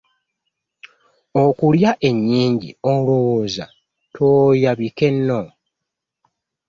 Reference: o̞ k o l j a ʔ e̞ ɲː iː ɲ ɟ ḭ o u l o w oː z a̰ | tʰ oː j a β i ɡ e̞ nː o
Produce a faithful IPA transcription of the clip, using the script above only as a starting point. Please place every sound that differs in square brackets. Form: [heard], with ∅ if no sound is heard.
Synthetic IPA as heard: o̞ k [u] l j a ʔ e̞ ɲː iː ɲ ɟ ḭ o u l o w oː z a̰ | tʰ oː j a β i [k] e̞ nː o